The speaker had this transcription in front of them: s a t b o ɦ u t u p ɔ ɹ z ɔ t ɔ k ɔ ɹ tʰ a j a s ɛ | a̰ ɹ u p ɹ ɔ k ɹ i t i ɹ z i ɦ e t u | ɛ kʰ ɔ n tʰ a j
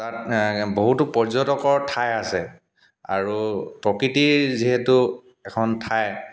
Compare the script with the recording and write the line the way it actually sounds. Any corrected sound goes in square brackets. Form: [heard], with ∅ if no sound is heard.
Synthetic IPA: [t] a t b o ɦ u t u p ɔ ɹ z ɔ t ɔ k ɔ ɹ tʰ a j a s ɛ | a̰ ɹ u p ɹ ɔ k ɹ i t i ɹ z i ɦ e t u | ɛ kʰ ɔ n tʰ a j